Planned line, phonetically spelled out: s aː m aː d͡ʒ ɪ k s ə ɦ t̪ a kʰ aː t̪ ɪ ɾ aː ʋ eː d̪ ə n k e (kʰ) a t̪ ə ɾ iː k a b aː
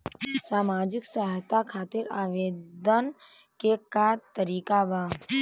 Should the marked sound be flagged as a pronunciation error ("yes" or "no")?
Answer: yes